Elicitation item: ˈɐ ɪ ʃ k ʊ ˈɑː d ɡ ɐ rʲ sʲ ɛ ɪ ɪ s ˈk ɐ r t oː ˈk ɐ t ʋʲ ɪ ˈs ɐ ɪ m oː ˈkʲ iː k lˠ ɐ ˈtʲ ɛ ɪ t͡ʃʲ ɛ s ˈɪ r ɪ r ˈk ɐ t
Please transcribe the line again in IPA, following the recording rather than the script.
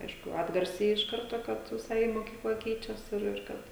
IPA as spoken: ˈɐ ɪ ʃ k ʊ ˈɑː d ɡ ɐ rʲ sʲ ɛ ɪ ɪ ʃ ˈk ɐ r t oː ˈk ɐ t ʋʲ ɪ ˈs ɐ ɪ m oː ˈkʲ iː k lˠ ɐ ˈkʲ ɛ ɪ t͡ʃʲ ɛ s ˈɪ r ɪ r ˈk ɐ t